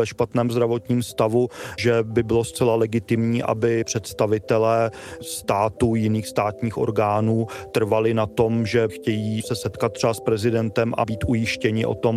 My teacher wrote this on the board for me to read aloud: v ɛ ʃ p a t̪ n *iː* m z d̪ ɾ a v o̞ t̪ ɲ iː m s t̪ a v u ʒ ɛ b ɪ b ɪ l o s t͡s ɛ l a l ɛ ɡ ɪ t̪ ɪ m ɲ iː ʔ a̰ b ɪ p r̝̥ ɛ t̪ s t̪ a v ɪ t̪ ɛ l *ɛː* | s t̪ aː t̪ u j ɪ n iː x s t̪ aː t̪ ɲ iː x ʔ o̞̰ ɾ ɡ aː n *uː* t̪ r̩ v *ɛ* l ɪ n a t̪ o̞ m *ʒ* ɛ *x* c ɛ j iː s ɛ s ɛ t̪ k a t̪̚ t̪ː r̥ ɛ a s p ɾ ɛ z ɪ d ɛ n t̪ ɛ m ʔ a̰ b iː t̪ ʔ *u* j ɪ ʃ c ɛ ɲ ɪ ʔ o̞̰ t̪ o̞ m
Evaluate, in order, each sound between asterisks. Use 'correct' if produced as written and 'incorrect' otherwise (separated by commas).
incorrect, correct, correct, incorrect, correct, correct, correct